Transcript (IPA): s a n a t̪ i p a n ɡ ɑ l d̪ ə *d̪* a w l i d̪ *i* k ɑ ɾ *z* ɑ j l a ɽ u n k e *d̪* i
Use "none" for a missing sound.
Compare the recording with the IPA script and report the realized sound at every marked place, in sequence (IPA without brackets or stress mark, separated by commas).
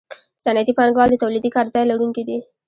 t̪, i, z, d̪